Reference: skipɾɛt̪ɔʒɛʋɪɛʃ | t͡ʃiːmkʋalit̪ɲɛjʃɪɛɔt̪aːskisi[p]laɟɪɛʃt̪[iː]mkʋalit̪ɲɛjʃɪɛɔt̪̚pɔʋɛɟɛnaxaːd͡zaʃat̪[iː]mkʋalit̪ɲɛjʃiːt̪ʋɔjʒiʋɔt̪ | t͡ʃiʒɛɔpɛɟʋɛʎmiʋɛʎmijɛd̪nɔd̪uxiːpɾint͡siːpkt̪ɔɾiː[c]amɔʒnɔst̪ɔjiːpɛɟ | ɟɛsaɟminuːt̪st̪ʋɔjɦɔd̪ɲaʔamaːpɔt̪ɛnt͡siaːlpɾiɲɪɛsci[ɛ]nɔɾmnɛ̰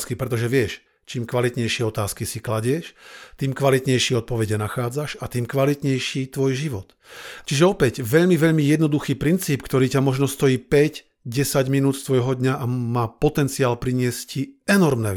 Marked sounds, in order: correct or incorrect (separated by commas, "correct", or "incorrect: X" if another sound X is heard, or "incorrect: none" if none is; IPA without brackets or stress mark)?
incorrect: k, correct, correct, correct, correct